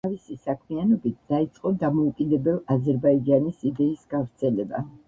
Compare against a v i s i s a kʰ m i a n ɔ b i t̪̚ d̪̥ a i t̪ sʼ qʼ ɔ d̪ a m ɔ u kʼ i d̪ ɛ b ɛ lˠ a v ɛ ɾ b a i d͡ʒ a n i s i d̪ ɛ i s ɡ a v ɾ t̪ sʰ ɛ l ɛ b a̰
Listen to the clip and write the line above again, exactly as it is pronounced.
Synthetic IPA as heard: a v i s i s a kʰ m i a n ɔ b i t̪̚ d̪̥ a i t̪ sʼ qʼ ɔ d̪ a m ɔ u kʼ i d̪ ɛ b ɛ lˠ a z ɛ ɾ b a i d͡ʒ a n i s i d̪ ɛ i s ɡ a v ɾ t̪ sʰ ɛ l ɛ b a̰